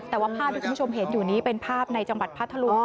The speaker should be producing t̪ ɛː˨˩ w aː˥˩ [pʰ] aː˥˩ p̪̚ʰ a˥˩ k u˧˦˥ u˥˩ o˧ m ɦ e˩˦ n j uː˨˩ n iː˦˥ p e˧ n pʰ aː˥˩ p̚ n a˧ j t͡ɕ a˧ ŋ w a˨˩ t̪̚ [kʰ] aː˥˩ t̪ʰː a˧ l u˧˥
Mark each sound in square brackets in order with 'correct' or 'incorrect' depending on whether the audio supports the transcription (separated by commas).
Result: correct, incorrect